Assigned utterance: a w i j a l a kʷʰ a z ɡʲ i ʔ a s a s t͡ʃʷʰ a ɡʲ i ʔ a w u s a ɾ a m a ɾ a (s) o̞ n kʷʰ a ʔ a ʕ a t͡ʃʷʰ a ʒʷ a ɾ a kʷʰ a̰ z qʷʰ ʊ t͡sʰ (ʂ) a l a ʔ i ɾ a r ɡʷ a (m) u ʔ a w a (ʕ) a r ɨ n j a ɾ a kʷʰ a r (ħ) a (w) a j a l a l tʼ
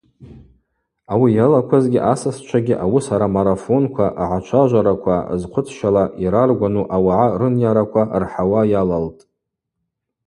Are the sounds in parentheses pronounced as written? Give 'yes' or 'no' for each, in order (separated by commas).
no, no, no, yes, yes, yes